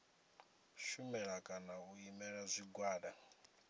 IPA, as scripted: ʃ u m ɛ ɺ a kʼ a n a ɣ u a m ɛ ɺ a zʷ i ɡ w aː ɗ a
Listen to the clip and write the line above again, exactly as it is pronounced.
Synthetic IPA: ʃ u m ɛ ɺ a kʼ a n a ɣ u i m ɛ ɺ a zʷ i ɡ w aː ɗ a

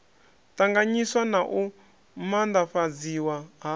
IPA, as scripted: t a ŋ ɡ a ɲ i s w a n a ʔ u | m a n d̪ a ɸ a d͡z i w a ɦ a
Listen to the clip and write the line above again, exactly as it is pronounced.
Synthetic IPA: t a ŋ ɡ a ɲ i s w a n a ʔ u | m a n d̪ a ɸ a d͡z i w a ɦ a

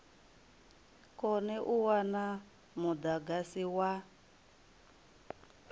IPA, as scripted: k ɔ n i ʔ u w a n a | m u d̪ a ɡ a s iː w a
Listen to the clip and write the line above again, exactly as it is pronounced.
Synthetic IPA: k ɔ n ɛ ʔ u w a n a | m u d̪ a ɡ a s i w a

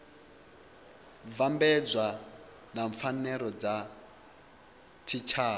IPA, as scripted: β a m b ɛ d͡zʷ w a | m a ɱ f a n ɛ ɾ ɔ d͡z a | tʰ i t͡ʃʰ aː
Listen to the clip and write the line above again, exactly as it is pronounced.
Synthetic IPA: v a m b ɛ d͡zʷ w a | n a ɱ f a n ɛ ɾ ɔ d͡z a | tʰ i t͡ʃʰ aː

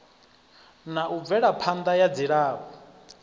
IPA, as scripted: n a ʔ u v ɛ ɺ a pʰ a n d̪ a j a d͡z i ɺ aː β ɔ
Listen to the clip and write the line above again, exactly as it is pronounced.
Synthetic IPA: n a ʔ u v ɛ ɺ a pʰ a n d̪ a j a d͡z i ɺ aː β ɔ

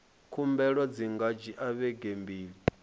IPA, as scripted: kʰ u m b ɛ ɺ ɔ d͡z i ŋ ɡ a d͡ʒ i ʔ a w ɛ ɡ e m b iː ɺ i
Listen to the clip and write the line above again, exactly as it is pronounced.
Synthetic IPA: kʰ u m b ɛ ɺ ɔ d͡z i ŋ ɡ a d͡ʒ i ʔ a β ɛ ɡ e m b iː ɺ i

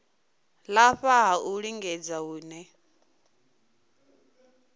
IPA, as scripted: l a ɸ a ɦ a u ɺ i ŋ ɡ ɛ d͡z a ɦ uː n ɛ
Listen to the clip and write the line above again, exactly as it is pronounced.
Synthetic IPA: l a ɸ a ɦ a u ɺ i ŋ ɡ ɛ d͡z a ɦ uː n ɛ

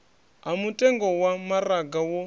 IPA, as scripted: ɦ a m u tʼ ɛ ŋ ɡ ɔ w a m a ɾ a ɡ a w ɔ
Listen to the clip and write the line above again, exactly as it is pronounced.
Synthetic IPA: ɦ a m u tʼ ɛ ŋ ɡ ɔ w a m a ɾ a ɡ a w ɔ

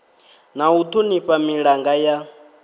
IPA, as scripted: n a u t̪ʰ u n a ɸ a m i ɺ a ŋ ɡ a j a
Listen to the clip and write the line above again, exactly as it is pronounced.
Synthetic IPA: n a u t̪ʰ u n i ɸ a m i ɺ a ŋ ɡ a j a

